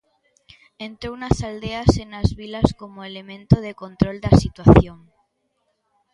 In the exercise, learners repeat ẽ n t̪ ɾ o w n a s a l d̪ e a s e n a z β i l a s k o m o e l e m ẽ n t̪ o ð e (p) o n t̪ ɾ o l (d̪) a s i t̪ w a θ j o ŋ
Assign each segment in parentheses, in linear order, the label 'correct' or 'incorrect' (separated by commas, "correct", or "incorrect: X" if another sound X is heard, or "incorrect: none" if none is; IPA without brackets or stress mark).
incorrect: k, correct